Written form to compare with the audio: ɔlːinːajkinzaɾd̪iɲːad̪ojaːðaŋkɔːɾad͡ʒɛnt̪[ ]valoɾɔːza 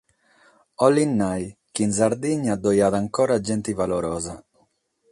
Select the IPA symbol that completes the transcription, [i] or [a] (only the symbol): i